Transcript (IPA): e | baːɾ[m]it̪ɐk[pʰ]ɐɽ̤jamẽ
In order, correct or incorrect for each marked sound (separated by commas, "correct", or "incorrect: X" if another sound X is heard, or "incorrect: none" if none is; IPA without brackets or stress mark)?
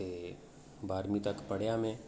correct, incorrect: p